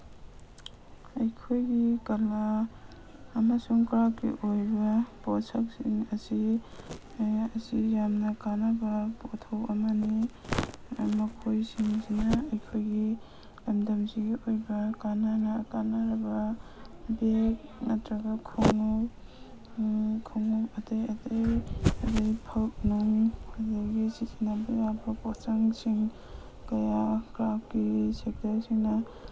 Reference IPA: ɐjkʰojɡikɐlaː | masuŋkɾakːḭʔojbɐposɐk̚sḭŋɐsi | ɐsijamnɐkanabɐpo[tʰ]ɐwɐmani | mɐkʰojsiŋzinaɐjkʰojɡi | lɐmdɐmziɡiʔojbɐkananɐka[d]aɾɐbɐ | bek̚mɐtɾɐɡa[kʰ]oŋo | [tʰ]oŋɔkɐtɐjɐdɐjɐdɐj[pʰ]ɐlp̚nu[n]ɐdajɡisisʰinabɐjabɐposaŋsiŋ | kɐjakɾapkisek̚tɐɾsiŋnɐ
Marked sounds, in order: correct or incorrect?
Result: correct, incorrect, correct, incorrect, correct, incorrect

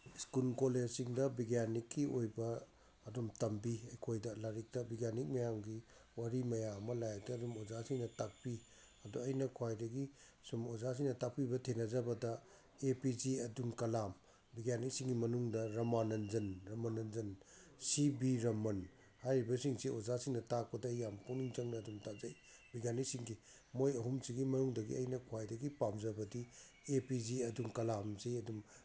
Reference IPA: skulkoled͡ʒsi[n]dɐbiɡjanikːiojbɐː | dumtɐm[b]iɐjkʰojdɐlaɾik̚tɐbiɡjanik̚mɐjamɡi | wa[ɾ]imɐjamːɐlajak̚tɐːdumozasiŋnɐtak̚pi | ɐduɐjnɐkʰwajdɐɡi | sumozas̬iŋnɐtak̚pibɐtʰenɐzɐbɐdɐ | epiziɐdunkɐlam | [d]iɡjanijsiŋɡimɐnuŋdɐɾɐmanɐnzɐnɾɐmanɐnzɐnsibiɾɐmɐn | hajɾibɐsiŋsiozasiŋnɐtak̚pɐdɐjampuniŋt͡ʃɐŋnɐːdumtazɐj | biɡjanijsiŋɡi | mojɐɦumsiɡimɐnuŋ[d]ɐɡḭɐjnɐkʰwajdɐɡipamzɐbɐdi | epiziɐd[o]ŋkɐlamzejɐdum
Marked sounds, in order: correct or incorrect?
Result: incorrect, correct, correct, incorrect, correct, incorrect

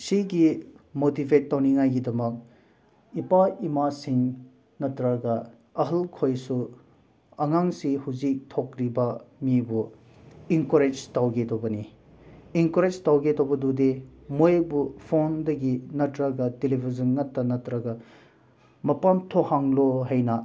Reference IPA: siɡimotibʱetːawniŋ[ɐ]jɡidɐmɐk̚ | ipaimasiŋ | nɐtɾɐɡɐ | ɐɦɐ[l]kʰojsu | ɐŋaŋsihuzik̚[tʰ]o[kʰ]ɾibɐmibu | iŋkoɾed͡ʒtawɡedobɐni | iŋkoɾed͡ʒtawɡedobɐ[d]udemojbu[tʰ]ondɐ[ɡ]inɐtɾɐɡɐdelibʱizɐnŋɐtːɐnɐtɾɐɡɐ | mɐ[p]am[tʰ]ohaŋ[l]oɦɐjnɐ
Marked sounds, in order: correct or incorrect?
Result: incorrect, correct, correct, incorrect, correct, incorrect, correct, correct, correct, correct

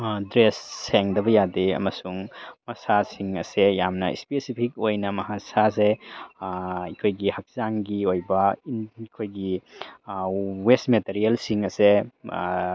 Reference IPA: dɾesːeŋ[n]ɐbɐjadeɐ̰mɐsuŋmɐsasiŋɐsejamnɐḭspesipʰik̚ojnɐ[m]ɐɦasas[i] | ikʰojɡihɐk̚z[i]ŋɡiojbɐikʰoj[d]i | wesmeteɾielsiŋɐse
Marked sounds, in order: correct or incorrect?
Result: incorrect, correct, incorrect, incorrect, incorrect

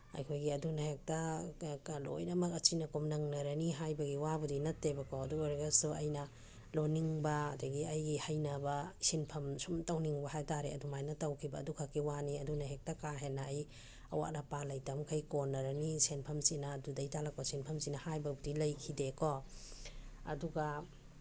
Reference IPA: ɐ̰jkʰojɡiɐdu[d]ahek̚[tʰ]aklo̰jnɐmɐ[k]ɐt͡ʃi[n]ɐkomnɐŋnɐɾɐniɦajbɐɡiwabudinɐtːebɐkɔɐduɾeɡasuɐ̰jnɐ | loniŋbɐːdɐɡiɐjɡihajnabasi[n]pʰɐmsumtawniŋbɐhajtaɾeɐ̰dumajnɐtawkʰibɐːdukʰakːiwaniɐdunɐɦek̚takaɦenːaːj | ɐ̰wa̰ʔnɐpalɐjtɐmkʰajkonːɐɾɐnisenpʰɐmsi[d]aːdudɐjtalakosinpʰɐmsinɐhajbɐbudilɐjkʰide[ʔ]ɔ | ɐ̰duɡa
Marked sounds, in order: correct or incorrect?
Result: incorrect, incorrect, correct, correct, correct, incorrect, incorrect

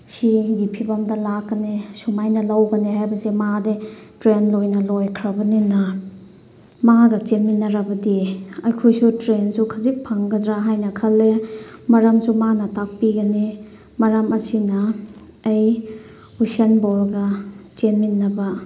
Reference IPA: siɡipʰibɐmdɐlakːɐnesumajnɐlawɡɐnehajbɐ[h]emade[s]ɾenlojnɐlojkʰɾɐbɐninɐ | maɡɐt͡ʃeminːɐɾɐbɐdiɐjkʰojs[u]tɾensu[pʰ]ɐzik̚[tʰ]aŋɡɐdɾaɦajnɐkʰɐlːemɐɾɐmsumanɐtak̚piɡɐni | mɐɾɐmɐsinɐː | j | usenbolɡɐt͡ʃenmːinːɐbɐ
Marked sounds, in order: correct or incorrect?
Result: incorrect, incorrect, correct, incorrect, incorrect

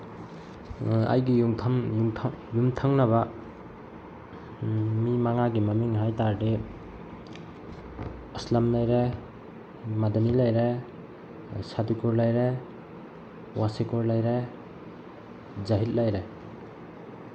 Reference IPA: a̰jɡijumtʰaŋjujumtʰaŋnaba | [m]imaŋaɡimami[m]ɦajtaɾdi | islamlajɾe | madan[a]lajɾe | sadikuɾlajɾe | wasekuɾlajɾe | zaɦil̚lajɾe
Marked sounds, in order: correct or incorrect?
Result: correct, incorrect, incorrect

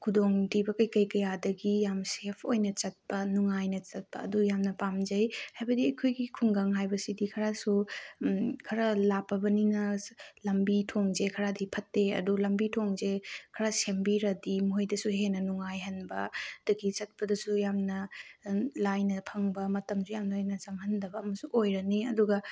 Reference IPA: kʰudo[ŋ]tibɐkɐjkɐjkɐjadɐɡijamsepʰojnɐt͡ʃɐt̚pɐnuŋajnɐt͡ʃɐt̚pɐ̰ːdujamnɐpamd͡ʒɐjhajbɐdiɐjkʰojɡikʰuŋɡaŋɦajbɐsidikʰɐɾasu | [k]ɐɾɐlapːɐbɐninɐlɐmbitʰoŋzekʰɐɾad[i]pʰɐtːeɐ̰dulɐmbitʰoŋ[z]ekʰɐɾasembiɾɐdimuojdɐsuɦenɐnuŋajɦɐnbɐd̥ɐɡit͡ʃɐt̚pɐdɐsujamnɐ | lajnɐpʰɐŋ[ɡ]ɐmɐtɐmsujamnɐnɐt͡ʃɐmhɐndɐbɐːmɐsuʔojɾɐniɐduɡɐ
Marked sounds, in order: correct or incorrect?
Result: correct, incorrect, correct, correct, incorrect

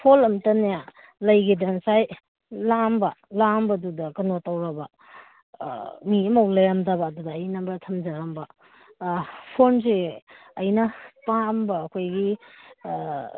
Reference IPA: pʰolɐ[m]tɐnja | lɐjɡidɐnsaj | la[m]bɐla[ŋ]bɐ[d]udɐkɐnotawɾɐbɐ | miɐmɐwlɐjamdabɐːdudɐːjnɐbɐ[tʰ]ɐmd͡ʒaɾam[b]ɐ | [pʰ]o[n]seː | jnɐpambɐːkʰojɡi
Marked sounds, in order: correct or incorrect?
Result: correct, correct, incorrect, correct, correct, correct, correct, correct

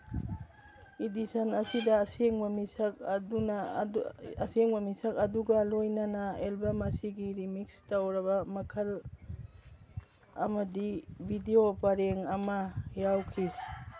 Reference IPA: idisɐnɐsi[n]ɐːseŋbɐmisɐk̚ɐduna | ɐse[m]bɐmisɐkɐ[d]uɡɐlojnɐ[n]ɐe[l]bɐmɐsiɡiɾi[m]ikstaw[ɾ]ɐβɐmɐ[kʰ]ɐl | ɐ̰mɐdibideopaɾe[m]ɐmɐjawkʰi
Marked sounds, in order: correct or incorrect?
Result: incorrect, incorrect, correct, correct, correct, correct, correct, correct, incorrect

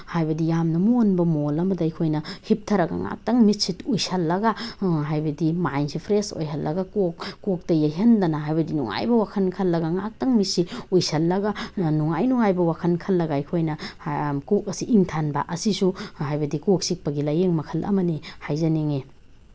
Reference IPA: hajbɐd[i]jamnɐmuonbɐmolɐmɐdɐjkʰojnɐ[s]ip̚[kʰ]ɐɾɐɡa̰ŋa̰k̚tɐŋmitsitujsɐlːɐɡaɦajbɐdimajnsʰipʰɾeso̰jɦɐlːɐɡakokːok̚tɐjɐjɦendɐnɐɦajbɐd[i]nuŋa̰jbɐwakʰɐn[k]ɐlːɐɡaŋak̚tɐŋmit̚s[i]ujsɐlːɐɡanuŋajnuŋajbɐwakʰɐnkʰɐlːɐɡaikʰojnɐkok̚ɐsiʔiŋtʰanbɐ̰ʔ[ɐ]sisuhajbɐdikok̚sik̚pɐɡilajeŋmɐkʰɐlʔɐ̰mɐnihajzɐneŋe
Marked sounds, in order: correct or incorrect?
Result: correct, incorrect, incorrect, correct, incorrect, correct, correct

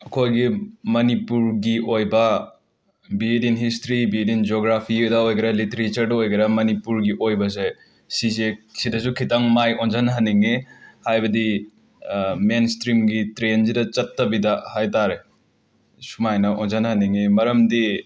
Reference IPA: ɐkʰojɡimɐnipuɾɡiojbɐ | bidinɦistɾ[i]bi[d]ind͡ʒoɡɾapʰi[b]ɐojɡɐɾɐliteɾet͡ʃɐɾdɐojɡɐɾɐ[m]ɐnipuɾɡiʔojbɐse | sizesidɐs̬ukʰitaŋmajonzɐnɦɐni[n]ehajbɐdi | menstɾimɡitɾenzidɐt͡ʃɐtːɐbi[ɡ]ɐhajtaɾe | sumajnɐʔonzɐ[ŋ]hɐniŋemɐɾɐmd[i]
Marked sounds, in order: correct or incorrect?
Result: correct, correct, incorrect, correct, incorrect, incorrect, incorrect, correct

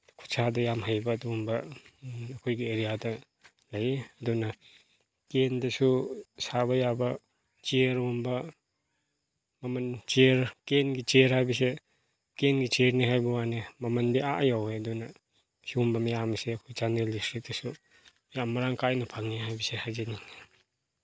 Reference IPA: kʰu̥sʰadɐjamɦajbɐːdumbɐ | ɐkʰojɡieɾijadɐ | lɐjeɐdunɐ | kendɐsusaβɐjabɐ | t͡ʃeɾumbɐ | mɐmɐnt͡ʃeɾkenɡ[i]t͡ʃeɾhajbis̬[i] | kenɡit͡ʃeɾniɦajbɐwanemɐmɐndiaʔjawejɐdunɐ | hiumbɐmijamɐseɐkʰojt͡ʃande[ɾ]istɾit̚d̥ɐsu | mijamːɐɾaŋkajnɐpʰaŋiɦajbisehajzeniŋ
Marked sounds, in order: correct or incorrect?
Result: correct, incorrect, incorrect

